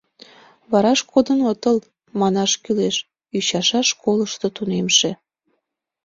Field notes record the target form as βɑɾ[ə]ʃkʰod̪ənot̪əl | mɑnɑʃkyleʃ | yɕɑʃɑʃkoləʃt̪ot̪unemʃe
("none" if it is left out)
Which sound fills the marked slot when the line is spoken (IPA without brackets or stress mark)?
ɑ